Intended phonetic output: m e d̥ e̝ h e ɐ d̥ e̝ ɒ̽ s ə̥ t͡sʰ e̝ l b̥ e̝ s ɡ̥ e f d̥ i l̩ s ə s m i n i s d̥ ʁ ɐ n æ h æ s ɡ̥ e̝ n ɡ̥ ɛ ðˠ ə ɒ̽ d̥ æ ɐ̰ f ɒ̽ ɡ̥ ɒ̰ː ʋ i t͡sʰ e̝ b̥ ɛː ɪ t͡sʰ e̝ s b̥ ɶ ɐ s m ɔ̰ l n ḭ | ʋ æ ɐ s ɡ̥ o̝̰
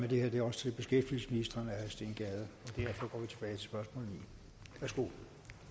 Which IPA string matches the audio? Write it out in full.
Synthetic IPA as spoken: m e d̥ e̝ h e ɐ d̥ e̝ ɒ̽ s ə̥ t͡sʰ e̝ l b̥ e̝ s ɡ̥ e f d̥ i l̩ s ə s m i n i s d̥ ʁ ɐ n æ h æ s d̥ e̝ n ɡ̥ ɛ ðˠ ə ɒ̽ d̥ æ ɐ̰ f ɒ̽ ɡ̥ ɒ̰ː ʋ i t͡sʰ e̝ b̥ ɛː ɪ t͡sʰ e̝ s b̥ ɶ ɐ s m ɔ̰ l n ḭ | ʋ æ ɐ s ɡ̥ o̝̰